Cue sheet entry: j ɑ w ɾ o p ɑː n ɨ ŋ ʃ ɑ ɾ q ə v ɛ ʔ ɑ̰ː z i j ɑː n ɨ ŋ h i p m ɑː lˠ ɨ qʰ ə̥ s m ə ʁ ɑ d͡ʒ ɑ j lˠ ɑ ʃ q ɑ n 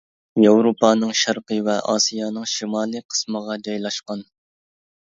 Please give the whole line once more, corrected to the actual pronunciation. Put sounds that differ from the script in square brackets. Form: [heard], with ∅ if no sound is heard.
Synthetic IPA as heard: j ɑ w ɾ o p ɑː n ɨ ŋ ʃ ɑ ɾ q ə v ɛ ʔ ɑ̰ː [s] i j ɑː n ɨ ŋ [ʃ] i [∅] m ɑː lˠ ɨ qʰ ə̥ s m ə ʁ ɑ d͡ʒ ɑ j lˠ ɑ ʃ q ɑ n